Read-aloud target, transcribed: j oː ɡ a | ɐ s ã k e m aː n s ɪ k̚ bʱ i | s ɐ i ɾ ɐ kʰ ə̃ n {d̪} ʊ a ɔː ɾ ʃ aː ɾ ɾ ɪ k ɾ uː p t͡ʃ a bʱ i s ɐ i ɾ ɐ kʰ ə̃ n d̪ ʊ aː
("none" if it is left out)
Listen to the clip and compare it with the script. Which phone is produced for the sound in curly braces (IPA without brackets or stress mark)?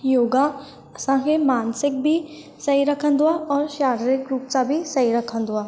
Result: d̪